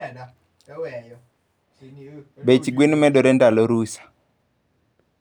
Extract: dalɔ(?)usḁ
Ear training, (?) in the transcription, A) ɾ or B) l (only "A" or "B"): A